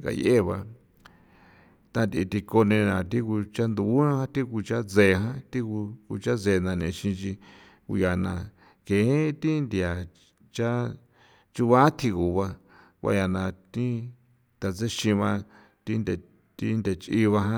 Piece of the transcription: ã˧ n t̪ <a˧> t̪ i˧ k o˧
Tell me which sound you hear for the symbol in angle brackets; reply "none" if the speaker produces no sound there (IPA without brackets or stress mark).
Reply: i˧